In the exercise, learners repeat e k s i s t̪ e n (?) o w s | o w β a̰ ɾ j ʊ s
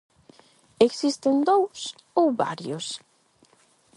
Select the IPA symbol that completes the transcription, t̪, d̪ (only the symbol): d̪